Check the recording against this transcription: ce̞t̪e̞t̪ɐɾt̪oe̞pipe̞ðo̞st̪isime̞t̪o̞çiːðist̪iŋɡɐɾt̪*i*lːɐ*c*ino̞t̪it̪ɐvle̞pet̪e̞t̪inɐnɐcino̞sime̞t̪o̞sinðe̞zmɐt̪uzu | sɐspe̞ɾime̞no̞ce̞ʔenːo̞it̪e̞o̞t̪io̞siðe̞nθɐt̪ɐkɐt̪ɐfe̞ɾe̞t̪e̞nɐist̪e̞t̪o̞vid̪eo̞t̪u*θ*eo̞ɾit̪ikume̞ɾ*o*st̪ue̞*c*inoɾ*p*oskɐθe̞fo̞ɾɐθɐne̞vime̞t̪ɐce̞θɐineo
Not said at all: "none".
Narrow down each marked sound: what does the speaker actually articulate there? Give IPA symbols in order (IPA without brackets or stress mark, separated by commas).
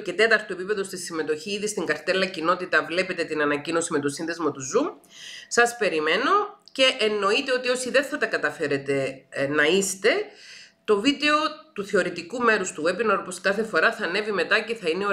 e, c, θ, u, p, p